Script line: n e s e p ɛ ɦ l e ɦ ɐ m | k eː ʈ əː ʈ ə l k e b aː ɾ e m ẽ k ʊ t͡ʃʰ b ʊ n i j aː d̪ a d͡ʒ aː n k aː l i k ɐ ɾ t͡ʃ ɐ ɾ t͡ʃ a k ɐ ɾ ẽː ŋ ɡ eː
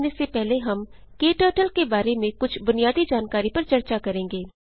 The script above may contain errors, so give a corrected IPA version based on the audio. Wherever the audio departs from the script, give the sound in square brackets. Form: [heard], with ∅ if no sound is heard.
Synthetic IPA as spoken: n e s e p ɛ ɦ l e ɦ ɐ m | k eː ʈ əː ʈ ə l k e b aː ɾ e m ẽ k ʊ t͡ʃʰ b ʊ n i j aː d̪ [i] d͡ʒ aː n k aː [ɾ] i [p] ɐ ɾ t͡ʃ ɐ ɾ t͡ʃ a k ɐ ɾ ẽː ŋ ɡ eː